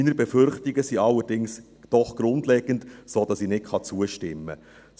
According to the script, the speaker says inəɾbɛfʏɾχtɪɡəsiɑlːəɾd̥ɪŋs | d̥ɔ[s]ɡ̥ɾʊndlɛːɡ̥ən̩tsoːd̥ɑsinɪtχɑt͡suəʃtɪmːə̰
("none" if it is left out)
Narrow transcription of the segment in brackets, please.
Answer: χ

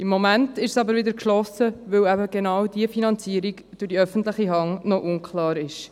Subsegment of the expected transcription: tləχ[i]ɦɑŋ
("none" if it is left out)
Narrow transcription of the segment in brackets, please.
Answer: i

